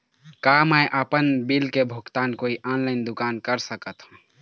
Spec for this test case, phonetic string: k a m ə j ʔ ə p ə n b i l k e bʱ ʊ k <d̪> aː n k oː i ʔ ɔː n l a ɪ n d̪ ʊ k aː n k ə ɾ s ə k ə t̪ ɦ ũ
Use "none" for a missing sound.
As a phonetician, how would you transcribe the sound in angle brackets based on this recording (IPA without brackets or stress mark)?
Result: t̪